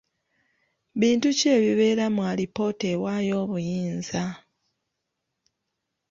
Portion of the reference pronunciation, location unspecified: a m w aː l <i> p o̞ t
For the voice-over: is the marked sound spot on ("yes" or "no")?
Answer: yes